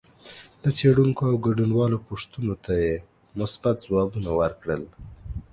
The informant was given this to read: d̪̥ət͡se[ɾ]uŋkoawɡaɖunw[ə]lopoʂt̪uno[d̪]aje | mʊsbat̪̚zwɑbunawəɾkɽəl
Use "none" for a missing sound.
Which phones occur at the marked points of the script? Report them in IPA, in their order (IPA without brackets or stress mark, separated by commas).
ɽ, ɑ, t̪